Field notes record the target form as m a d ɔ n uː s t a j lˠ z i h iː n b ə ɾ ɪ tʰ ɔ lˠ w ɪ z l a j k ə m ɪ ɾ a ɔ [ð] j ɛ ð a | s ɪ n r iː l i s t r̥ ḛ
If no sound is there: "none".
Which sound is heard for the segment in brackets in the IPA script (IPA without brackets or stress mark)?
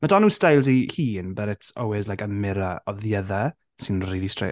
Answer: ð